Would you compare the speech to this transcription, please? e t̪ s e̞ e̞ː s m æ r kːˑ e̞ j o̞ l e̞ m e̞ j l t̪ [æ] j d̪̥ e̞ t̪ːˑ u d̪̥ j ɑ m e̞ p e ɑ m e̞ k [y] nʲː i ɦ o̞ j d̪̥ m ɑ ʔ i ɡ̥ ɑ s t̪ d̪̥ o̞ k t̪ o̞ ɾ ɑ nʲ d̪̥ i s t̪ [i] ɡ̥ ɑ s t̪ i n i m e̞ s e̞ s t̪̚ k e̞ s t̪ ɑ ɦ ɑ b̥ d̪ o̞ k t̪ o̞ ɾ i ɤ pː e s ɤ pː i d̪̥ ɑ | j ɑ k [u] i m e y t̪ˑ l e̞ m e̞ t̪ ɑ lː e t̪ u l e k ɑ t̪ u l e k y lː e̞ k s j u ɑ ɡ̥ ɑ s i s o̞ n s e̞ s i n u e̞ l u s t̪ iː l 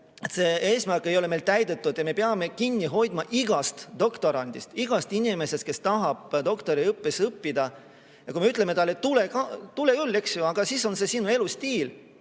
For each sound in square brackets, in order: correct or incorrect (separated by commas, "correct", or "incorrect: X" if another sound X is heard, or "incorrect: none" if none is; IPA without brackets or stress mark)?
correct, incorrect: i, correct, correct